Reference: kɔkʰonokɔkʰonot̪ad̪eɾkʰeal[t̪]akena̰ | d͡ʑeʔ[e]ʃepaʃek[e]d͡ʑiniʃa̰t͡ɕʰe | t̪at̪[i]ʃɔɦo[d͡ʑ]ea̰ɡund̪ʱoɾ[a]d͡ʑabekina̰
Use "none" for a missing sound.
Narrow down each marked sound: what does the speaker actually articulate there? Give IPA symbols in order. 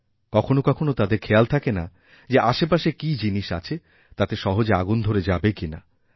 t̪ʰ, a, i, e, d͡ʑ, e

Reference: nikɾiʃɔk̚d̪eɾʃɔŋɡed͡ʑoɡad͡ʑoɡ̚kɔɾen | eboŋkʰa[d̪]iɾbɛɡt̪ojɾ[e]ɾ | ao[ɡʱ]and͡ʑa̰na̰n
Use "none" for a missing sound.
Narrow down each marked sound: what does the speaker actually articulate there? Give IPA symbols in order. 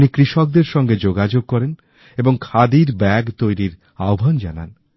d̪, i, bʱ

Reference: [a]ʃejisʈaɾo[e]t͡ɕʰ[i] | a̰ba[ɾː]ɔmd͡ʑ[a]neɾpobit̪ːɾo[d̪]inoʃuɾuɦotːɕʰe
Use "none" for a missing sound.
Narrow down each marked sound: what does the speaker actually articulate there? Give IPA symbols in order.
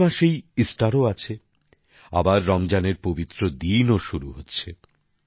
a, a, e, ɾː, a, d̪

